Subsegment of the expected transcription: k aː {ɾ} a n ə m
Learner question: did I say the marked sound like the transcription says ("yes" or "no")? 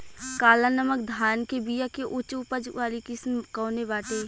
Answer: no